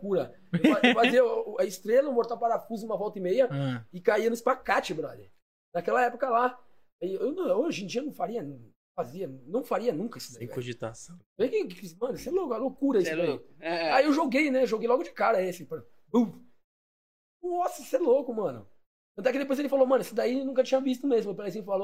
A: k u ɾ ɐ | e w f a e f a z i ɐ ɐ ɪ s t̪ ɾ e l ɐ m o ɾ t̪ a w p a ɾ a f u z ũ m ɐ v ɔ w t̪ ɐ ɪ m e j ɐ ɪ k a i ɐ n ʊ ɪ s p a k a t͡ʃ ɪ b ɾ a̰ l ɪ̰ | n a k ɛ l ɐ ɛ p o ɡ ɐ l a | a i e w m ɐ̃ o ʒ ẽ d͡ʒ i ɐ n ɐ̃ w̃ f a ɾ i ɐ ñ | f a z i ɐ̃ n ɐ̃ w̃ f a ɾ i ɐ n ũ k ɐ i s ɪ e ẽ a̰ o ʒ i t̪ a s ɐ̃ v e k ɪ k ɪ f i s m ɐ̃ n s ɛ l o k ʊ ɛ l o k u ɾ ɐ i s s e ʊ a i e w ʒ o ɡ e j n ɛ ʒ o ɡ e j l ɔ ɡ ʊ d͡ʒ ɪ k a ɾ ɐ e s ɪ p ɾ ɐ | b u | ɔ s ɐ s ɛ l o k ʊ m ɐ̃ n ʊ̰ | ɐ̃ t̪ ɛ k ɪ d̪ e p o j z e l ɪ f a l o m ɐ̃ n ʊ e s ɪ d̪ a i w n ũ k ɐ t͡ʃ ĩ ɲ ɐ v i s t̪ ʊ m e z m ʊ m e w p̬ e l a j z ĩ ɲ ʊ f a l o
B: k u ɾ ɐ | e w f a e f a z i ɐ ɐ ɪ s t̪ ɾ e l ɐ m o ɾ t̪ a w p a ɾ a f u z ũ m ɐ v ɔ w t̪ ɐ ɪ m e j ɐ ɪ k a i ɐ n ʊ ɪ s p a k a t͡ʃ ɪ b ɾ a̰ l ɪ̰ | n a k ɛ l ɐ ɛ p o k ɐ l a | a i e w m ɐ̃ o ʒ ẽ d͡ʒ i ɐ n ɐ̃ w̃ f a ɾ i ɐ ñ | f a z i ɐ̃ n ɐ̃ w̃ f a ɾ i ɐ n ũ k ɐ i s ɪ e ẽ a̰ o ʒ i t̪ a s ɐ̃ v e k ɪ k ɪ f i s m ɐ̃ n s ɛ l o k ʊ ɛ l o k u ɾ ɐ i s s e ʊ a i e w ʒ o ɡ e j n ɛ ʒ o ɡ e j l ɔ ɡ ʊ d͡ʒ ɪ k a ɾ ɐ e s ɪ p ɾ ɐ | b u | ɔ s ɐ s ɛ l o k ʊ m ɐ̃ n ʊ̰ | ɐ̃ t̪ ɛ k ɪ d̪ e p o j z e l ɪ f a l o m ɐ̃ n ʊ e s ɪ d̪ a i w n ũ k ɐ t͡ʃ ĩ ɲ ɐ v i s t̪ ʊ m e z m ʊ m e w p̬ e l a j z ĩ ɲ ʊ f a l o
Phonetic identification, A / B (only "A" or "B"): B